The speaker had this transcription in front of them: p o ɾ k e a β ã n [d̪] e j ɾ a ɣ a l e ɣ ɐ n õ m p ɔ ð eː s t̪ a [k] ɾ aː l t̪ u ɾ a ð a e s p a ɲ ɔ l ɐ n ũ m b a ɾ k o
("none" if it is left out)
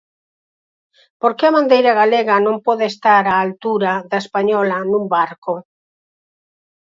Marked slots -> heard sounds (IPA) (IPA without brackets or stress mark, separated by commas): d̪, none